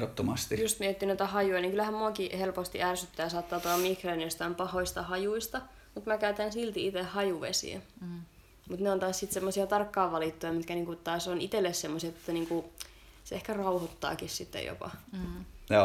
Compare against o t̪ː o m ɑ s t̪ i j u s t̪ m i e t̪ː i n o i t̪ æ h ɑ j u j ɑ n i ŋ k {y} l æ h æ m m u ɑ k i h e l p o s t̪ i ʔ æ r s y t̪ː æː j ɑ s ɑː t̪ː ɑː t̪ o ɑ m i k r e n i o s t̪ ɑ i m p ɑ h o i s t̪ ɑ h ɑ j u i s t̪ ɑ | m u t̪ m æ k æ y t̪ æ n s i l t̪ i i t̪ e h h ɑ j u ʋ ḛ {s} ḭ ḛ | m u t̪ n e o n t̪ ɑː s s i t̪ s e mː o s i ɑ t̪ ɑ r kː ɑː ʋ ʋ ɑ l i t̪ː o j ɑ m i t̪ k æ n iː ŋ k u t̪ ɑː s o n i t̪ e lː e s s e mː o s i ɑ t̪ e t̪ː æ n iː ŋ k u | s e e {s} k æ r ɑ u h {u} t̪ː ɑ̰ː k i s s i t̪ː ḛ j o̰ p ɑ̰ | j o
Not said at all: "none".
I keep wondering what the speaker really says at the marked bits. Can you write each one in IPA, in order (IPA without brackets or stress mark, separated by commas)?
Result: y, s, h, o